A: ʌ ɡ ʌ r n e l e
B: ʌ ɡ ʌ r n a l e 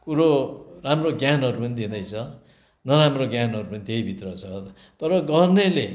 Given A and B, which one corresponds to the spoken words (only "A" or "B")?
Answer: A